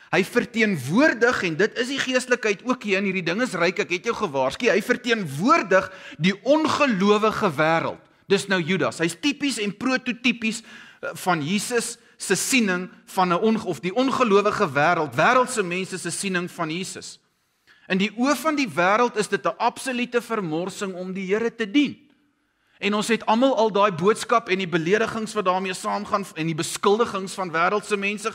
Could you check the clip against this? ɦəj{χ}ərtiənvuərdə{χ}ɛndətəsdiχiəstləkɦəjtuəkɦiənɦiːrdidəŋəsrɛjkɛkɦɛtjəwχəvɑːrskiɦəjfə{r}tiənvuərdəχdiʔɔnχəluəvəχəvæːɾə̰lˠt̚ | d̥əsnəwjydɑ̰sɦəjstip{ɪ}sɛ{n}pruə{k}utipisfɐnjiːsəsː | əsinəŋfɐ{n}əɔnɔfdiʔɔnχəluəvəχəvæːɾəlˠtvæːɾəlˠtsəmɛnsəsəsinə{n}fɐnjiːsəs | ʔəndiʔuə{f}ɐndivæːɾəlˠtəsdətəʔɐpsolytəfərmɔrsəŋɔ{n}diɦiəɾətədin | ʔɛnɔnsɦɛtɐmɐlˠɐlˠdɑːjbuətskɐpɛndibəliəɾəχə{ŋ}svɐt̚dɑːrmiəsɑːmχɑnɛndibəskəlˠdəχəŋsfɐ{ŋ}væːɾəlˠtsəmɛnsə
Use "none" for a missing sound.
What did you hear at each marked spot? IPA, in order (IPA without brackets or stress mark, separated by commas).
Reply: f, χ, r, i, n, t, n, ŋ, f, m, ŋ, n